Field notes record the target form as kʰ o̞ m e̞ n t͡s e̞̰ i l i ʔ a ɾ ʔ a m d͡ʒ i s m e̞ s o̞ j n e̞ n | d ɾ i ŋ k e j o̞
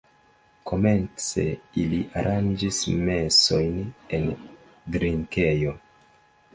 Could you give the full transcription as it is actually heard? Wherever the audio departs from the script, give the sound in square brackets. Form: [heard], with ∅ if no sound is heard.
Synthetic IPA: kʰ o̞ m e̞ n t͡s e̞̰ i l i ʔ a ɾ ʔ a [n] d͡ʒ i s m e̞ s o̞ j n e̞ n | d ɾ i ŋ k e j o̞